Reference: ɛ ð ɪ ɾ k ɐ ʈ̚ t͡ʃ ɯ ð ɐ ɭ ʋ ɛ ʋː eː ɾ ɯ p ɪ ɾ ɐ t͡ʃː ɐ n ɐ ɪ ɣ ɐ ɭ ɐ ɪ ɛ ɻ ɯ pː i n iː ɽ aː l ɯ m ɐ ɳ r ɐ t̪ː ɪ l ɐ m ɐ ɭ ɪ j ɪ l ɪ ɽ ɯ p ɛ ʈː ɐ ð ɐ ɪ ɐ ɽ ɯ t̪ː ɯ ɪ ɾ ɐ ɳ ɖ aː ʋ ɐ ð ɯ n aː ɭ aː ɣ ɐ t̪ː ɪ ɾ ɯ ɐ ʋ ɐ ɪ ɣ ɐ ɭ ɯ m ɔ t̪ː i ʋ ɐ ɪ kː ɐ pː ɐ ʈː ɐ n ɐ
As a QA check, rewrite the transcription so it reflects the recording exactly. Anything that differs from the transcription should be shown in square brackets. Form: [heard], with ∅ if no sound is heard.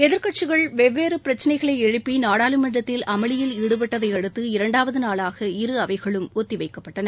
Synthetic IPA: ɛ ð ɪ ɾ k ɐ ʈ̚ t͡ʃ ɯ [ɣ] ɐ ɭ ʋ ɛ ʋː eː ɾ ɯ p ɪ ɾ ɐ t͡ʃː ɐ n ɐ ɪ ɣ ɐ ɭ ɐ ɪ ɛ ɻ ɯ pː i n [aː] ɽ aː l ɯ m ɐ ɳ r ɐ t̪ː ɪ l ɐ m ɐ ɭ ɪ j ɪ l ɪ ɽ ɯ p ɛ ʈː ɐ ð ɐ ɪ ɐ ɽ ɯ t̪ː ɯ ɪ ɾ ɐ ɳ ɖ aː ʋ ɐ ð ɯ n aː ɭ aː ɣ ɐ [∅] ɪ ɾ ɯ ɐ ʋ ɐ ɪ ɣ ɐ ɭ ɯ m ɔ t̪ː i ʋ ɐ ɪ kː ɐ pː ɐ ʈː ɐ n ɐ